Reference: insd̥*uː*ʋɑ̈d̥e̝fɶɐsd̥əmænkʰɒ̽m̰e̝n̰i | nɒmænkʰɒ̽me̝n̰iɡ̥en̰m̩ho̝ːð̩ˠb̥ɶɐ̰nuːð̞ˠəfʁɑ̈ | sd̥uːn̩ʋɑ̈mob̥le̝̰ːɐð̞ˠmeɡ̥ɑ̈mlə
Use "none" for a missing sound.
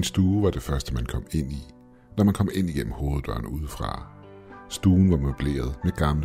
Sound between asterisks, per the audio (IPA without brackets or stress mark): uː